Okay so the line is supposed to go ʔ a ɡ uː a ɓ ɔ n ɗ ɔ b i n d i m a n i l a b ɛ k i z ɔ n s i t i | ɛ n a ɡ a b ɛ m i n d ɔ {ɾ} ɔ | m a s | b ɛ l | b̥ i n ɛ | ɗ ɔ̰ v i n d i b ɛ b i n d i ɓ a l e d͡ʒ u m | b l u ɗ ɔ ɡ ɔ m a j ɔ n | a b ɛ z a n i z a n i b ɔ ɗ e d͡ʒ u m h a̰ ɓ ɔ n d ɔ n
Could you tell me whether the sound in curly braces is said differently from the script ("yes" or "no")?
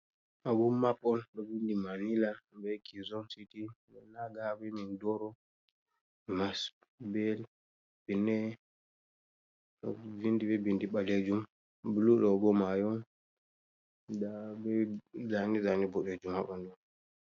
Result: no